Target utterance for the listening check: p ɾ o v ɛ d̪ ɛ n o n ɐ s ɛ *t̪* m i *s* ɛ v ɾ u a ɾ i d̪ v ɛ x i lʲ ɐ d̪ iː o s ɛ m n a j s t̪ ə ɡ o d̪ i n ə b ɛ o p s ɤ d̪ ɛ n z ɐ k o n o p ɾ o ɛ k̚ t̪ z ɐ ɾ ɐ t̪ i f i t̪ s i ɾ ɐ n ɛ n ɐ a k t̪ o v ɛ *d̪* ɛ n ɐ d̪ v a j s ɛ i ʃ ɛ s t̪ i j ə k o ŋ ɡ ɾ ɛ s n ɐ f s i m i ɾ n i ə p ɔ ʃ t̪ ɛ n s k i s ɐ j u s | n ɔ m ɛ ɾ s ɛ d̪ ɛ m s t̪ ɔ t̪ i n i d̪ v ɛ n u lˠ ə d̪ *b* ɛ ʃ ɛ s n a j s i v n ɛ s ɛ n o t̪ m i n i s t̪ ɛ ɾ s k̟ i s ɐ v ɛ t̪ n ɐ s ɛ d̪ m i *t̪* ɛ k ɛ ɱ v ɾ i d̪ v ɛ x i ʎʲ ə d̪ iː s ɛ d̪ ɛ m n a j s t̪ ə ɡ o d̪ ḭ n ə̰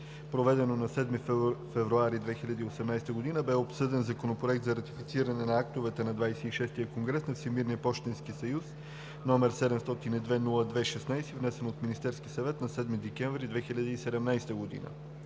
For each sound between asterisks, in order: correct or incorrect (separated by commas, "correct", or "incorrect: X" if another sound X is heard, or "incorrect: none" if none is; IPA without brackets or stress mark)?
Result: incorrect: d̪, incorrect: f, incorrect: t̪, incorrect: v, incorrect: d̪